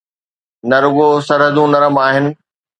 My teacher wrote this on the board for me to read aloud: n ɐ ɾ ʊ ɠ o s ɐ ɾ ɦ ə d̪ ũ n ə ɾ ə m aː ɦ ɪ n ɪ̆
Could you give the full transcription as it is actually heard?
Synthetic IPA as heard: n ɐ ɾ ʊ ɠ o s ɐ ɾ ɦ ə d̪ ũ n ɐ ɾ ə m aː ɦ ɪ n ɪ̆